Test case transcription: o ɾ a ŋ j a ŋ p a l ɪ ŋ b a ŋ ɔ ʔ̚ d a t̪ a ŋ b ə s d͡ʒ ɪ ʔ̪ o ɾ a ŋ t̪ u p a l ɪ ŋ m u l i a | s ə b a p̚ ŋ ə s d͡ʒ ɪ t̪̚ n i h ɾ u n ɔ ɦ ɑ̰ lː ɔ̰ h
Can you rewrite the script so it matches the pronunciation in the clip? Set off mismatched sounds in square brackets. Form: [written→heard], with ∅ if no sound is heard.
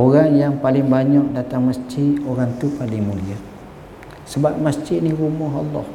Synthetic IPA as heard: o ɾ a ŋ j a ŋ p a l ɪ ŋ b a [ŋ→ɲ] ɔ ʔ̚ d a t̪ a ŋ [b→m] ə s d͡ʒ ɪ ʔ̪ o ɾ a ŋ t̪ u p a l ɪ ŋ m u l i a | s ə b a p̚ [ŋ→m] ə s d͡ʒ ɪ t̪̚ n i h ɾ u [n→m] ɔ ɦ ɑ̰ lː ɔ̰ h